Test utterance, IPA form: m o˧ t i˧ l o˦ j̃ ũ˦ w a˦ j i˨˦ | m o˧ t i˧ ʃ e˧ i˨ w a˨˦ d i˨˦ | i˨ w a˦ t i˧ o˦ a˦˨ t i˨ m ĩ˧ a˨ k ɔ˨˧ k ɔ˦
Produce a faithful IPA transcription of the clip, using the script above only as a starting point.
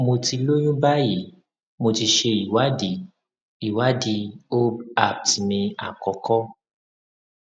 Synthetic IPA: m o˧ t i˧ l o˦ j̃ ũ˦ b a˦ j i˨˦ | m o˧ t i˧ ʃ e˧ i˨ w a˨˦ d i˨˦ | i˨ w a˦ d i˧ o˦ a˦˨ t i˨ m ĩ˧ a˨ k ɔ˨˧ k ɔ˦